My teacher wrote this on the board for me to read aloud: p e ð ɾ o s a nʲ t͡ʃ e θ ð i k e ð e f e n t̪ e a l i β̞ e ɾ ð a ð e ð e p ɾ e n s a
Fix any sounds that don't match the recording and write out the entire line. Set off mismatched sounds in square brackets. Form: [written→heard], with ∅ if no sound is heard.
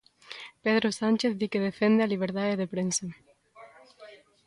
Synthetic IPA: p e ð ɾ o s a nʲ t͡ʃ e θ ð i k e ð e f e n [t̪→d̪] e a l i β̞ e ɾ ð a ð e ð e p ɾ e n s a

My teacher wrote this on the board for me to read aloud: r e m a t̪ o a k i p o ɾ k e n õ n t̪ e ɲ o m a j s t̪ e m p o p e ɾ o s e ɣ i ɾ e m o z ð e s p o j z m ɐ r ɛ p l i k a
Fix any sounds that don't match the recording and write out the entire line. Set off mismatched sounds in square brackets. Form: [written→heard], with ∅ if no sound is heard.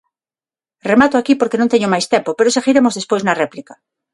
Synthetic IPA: r e m a t̪ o a k i p o ɾ k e n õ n t̪ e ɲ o m a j s t̪ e m p o p e ɾ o s e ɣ i ɾ e m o z ð e s p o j z [m→n] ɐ r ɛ p l i k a

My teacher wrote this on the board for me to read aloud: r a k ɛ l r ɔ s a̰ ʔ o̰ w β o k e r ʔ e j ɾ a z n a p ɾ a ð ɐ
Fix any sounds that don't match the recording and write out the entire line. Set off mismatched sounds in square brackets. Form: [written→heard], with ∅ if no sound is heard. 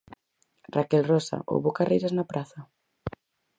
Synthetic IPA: r a k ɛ l r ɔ s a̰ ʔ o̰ w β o k [e→a] r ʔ e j ɾ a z n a p ɾ a [ð→θ] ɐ

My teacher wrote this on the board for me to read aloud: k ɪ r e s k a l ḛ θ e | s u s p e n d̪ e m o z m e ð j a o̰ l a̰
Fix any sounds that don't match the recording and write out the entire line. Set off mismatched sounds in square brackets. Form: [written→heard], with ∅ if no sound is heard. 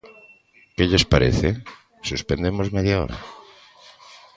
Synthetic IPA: k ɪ [r→ʎ] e s [k→p] a [l→ɾ] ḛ θ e | s u s p e n d̪ e m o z m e ð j a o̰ [l→ɾ] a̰

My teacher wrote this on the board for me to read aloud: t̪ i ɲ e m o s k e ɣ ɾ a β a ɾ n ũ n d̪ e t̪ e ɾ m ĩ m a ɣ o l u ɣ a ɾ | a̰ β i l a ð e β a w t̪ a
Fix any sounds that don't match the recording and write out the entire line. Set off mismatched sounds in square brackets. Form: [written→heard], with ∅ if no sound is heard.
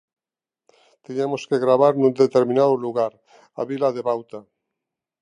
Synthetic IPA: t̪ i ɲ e m o s k e ɣ ɾ a β a ɾ n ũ n d̪ e t̪ e ɾ m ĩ [m→n] a [ɣ→ð] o l u ɣ a ɾ | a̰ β i l a ð e β a w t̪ a

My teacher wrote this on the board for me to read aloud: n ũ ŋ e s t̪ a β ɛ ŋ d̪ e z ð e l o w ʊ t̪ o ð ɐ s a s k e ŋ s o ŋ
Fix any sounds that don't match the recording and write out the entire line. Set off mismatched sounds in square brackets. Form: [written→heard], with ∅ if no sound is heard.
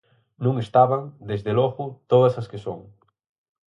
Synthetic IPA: n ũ ŋ e s t̪ a β [ɛ→a] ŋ d̪ e z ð e l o [w→ɣ] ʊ t̪ o ð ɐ s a s k e [ŋ→∅] s o ŋ

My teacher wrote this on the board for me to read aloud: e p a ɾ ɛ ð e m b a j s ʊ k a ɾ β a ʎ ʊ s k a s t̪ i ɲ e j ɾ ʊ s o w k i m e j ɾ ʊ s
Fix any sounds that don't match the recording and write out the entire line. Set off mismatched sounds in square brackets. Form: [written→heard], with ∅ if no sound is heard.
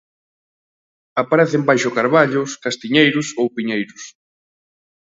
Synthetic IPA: [e→a] p a ɾ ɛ [ð→θ] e m b a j [s→ʃ] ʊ k a ɾ β a ʎ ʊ s k a s t̪ i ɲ e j ɾ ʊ s o w [k→p] i [m→ɲ] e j ɾ ʊ s

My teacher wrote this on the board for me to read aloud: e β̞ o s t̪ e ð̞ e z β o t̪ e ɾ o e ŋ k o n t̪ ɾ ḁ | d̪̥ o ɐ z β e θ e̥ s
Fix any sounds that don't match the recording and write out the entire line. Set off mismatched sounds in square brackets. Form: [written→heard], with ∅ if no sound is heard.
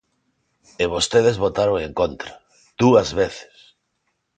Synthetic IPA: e β̞ o s t̪ e ð̞ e z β o t̪ [e→a] ɾ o e ŋ k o n t̪ ɾ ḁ | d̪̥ [o→u] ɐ z β e θ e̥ s

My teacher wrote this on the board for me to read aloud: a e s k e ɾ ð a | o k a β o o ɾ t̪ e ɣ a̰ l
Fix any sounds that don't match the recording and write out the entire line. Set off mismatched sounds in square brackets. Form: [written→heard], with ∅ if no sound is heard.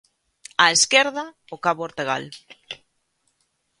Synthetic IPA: a e s k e ɾ ð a | o k a β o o ɾ t̪ e ɣ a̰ l

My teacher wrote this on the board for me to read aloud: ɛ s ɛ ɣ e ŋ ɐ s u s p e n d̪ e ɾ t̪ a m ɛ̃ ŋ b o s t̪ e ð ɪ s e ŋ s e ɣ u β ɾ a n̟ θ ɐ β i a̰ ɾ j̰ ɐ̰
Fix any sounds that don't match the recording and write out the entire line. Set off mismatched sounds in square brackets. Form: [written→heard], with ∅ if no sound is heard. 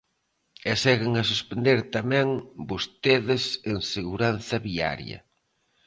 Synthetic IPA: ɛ s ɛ ɣ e ŋ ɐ s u s p e n d̪ e ɾ t̪ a m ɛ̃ ŋ b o s t̪ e ð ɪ s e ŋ s e ɣ u [β→∅] ɾ a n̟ θ ɐ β i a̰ ɾ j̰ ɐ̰

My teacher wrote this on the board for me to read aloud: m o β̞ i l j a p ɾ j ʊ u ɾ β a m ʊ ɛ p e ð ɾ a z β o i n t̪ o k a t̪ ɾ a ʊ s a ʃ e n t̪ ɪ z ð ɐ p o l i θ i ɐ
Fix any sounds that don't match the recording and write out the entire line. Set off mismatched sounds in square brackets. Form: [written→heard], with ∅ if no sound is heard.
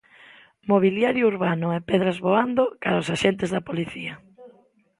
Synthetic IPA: m o β̞ i l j a [p→∅] ɾ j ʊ u ɾ β a [m→n] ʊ ɛ p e ð ɾ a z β o [i→a] n [t̪→d̪] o k a [t̪→∅] ɾ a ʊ s a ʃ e n t̪ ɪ z ð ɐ p o l i θ i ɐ

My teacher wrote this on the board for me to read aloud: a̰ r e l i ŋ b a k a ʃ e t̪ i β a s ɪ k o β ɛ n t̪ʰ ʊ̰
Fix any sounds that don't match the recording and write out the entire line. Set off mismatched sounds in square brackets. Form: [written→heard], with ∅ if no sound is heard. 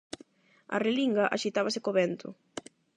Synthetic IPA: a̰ r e l i ŋ [b→ɡ] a [k→ʔ] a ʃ [e→i] t̪ [i→a] β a s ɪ k o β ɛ n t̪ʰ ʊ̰

